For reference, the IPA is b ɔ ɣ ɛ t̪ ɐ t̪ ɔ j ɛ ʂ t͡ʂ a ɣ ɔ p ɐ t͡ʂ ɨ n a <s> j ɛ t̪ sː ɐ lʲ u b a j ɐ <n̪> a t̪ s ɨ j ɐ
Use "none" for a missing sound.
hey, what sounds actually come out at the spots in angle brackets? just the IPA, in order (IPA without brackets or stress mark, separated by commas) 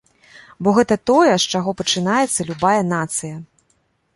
none, n̪